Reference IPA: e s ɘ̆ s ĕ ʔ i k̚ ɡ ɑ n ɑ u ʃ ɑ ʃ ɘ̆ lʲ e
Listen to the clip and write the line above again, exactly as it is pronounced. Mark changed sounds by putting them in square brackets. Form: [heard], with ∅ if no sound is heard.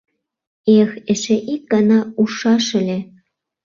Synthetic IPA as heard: e [x] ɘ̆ [ʃ] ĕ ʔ i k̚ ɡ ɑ n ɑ u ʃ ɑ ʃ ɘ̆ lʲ e